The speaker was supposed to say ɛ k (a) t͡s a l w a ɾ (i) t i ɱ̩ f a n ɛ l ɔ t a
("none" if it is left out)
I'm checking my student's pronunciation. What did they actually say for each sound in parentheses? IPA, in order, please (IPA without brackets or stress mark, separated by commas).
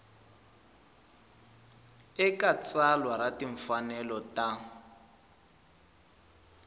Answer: a, a